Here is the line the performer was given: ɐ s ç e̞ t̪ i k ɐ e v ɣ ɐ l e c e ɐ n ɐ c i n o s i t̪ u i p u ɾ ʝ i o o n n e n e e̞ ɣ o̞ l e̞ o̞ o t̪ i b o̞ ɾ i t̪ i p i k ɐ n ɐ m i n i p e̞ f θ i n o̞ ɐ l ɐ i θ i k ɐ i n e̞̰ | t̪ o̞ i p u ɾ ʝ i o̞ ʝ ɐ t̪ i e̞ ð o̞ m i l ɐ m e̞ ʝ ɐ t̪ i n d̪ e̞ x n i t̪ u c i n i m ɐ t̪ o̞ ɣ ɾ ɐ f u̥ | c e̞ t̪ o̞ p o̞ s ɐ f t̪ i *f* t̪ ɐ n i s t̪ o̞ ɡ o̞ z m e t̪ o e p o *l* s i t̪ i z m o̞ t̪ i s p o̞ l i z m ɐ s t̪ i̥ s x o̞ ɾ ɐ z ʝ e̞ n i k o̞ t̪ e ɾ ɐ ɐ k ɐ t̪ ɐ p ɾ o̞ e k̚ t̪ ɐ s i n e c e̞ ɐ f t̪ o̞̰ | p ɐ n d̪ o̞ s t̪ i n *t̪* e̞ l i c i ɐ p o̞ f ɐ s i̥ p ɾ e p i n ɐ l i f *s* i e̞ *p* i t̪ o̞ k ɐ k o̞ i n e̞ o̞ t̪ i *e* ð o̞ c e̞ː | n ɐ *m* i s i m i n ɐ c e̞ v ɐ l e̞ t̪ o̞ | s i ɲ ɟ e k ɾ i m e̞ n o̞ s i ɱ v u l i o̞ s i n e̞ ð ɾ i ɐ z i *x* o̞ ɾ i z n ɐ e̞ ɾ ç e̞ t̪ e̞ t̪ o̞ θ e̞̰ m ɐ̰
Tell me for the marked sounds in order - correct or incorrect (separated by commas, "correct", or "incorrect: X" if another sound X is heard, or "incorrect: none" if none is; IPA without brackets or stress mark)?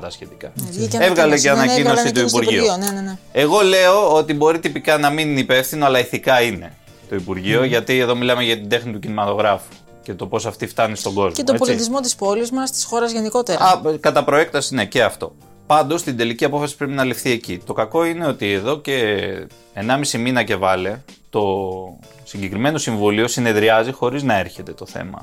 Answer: correct, correct, incorrect: d̪, incorrect: θ, incorrect: c, correct, correct, correct